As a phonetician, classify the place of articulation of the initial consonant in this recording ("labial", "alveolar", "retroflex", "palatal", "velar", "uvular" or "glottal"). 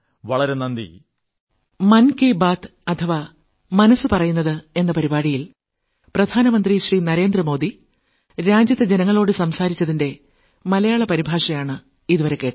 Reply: labial